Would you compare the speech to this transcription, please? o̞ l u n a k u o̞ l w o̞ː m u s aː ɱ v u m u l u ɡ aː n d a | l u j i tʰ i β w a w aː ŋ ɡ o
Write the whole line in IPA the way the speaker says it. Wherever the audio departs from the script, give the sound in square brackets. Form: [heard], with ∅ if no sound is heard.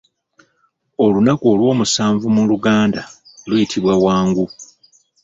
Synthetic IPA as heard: o̞ l u n a k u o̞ l w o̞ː m u s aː ɱ v u m u l u ɡ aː n d a | l u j i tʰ i β w a w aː ŋ ɡ [u]